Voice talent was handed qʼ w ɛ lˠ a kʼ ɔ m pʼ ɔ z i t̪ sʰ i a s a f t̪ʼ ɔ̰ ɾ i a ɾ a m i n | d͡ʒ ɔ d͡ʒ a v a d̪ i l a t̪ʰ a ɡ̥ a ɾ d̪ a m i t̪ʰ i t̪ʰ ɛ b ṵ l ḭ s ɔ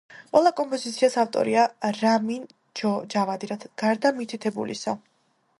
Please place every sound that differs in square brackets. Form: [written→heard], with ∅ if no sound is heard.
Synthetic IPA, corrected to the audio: qʼ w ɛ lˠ a kʼ ɔ m pʼ ɔ z i t̪ sʰ i a s a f t̪ʼ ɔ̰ ɾ i a ɾ a m i n | d͡ʒ ɔ d͡ʒ a v a d̪ i [l→ɾ] a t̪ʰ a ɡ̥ a ɾ d̪ a m i t̪ʰ i t̪ʰ ɛ b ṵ l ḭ s ɔ